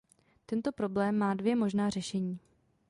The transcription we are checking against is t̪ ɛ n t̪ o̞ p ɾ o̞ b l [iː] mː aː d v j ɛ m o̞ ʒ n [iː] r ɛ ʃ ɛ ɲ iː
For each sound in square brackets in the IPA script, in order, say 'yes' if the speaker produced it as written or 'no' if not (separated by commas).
no, no